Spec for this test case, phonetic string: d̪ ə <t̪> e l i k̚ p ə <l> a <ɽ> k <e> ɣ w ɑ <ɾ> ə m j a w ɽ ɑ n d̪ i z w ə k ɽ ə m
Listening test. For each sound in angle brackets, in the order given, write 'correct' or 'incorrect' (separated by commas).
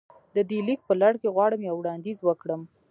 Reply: incorrect, correct, correct, correct, incorrect